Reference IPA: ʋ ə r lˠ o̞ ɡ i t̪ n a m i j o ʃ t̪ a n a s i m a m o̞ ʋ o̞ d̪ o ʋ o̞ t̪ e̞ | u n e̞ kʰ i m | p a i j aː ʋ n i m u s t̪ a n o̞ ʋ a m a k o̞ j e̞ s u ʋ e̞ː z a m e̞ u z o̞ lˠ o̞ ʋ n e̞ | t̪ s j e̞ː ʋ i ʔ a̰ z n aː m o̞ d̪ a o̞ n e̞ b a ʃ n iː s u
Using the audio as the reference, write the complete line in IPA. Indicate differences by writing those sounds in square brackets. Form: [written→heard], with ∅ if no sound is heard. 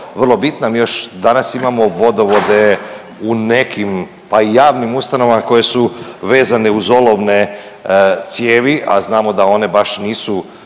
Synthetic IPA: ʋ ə r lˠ o̞ [ɡ→b] i t̪ n a m i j o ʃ [t̪→d̪] a n a s i m a m o̞ ʋ o̞ d̪ o ʋ o̞ [t̪→d̪] e̞ | u n e̞ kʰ i m | p a i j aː ʋ n i m u s t̪ a n o̞ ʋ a m a k o̞ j e̞ s u ʋ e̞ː z a [m→n] e̞ u z o̞ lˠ o̞ ʋ n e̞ | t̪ s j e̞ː ʋ i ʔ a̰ z n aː m o̞ d̪ a o̞ n e̞ b a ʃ n iː s u

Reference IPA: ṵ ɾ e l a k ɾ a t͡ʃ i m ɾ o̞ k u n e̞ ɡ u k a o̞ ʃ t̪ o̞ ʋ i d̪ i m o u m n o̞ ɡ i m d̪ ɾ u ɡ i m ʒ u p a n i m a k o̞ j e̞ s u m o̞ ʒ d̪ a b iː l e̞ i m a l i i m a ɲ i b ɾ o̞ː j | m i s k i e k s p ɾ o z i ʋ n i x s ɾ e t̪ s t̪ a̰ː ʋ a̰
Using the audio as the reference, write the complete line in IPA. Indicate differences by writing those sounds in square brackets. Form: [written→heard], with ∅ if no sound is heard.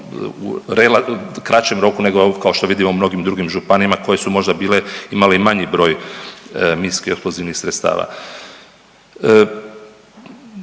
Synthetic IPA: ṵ ɾ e l a k ɾ a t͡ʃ [i→e] m ɾ o̞ k u n e̞ ɡ [u→o] k a o̞ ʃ t̪ o̞ ʋ i d̪ i m o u m n o̞ ɡ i m d̪ ɾ u ɡ i m ʒ u p a n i m a k o̞ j e̞ s u m o̞ ʒ d̪ a b iː l e̞ i m a l [i→e] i m a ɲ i b ɾ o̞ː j | m i s k i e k s p [ɾ→l] o z i ʋ n i x s ɾ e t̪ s t̪ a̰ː ʋ a̰

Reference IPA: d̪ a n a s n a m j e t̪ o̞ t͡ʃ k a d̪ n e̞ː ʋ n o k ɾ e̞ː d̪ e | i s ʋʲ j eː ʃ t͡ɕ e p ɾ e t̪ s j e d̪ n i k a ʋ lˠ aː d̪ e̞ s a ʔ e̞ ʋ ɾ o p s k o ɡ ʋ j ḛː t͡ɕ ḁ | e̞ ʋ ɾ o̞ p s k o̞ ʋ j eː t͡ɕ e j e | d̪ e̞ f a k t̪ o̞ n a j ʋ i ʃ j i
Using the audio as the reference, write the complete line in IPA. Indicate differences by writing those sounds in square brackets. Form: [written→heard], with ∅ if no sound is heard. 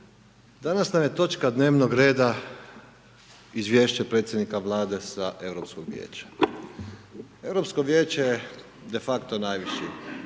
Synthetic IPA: d̪ a n a s n a m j e t̪ o̞ t͡ʃ k a d̪ n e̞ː ʋ n o [k→ɡ] ɾ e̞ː d̪ [e→a] | i [s→z] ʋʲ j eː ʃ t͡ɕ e p ɾ e t̪ s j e d̪ n i k a ʋ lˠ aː d̪ e̞ s a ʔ e̞ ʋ ɾ o p s k o ɡ ʋ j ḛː t͡ɕ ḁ | e̞ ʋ ɾ o̞ p s k o̞ ʋ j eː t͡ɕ e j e | d̪ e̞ f a k t̪ o̞ n a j ʋ i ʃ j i

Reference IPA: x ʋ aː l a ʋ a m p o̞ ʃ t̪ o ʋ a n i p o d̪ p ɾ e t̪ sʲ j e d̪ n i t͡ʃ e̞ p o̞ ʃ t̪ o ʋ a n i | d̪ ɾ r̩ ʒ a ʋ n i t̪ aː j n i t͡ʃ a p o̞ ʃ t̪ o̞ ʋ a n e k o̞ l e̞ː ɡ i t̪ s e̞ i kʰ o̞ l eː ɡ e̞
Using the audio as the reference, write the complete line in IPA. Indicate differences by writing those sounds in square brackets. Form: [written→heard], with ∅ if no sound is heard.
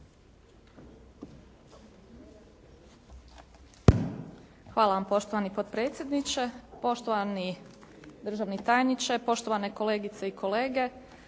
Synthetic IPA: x ʋ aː l a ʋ a m p o̞ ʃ t̪ o ʋ a n i p o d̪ p ɾ e t̪ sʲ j e d̪ n i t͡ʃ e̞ p o̞ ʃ t̪ o ʋ a n i | d̪ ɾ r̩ ʒ a ʋ n i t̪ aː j n i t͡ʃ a p o̞ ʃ t̪ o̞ ʋ a n e k o̞ l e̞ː ɡ i t̪ s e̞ i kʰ o̞ l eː ɡ e̞

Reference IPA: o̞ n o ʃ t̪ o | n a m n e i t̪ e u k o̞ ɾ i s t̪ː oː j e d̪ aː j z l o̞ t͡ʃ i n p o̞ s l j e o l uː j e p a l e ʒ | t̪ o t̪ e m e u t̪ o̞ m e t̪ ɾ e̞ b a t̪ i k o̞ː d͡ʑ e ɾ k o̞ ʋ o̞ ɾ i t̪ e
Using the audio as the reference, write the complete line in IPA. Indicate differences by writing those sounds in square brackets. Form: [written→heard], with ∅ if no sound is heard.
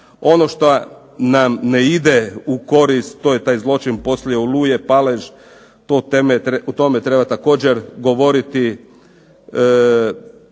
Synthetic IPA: o̞ n o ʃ t̪ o | n a m n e i [t̪→d̪] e u k o̞ ɾ i s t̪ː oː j e [d̪→t̪] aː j z l o̞ t͡ʃ i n p o̞ s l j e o l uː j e p a l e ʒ | t̪ o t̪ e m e u t̪ o̞ m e t̪ ɾ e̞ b a t̪ [i→a] k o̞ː d͡ʑ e ɾ [k→ɡ] o̞ ʋ o̞ ɾ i t̪ [e→i]

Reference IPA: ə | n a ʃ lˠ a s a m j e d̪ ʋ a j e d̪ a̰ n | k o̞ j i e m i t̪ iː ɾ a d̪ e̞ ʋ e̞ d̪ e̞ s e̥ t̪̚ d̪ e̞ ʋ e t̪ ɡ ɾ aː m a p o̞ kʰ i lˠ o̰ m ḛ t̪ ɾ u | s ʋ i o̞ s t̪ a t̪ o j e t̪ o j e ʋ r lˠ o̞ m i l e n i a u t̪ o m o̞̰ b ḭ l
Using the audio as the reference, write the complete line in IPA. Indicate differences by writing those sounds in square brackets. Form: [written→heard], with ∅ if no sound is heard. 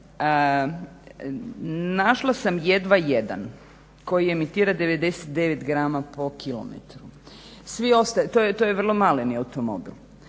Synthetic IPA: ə | n a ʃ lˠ a s a m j e d̪ ʋ a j e d̪ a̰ n | k o̞ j i e m i t̪ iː ɾ a d̪ e̞ ʋ e̞ d̪ e̞ s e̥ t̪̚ d̪ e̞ ʋ e t̪ ɡ ɾ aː m a p o̞ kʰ i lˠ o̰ m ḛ t̪ ɾ u | s ʋ i o̞ s t̪ a t̪ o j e t̪ o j e ʋ r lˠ o̞ m [i→a] l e n i a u t̪ o m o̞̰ b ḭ l

